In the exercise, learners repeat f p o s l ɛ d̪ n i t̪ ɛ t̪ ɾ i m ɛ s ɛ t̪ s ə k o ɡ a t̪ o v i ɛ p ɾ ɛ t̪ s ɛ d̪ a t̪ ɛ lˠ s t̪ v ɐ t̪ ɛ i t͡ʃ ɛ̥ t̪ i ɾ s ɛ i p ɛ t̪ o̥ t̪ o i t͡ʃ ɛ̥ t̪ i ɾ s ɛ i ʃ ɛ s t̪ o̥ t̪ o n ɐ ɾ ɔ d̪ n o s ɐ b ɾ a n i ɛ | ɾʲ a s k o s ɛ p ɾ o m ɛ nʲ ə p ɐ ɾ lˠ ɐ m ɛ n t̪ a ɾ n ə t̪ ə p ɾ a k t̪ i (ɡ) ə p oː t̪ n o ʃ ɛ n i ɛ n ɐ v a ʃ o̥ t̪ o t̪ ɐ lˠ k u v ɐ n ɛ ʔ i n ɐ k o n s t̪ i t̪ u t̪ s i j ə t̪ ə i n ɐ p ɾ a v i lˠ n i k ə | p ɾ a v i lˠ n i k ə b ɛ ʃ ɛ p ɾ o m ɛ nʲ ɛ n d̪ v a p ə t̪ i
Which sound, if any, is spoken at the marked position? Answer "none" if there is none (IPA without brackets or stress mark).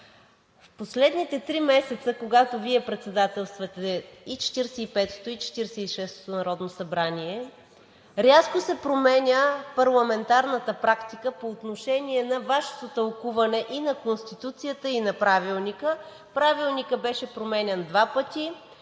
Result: k